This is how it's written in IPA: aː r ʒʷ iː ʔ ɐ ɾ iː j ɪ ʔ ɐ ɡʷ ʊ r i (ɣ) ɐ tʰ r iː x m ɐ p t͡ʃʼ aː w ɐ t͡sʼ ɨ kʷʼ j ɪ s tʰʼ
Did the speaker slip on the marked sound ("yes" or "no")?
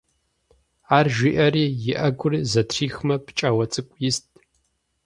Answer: yes